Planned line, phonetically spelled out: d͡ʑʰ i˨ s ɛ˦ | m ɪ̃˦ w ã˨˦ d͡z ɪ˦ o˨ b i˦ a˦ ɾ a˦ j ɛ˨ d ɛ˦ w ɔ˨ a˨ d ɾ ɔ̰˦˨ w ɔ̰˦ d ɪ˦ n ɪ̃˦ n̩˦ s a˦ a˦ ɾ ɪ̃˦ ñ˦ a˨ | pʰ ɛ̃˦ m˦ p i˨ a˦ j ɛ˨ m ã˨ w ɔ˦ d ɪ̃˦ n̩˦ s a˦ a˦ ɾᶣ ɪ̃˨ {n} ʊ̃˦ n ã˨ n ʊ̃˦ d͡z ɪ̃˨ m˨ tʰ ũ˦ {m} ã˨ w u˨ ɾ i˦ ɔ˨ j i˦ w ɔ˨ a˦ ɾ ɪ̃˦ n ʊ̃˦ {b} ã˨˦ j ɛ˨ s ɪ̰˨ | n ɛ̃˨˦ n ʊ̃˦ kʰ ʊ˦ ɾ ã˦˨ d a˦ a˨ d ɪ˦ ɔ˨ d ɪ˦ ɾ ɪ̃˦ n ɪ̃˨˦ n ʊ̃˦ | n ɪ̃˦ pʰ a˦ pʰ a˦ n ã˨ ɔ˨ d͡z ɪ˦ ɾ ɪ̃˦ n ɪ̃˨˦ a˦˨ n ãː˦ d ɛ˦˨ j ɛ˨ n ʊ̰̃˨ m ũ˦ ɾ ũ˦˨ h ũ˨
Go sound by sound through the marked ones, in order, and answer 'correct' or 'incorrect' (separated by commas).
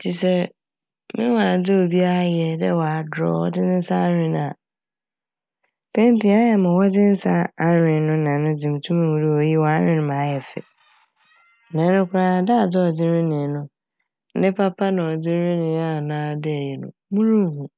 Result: correct, correct, incorrect